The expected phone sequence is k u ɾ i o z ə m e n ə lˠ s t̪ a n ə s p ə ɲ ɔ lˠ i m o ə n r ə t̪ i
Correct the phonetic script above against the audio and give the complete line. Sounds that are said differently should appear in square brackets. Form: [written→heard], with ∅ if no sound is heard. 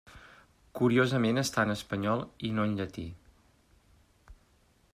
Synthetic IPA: k u ɾ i o z ə m e n ə [lˠ→∅] s t̪ a n ə s p ə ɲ ɔ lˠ i [m→n] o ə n [r→ʎ] ə t̪ i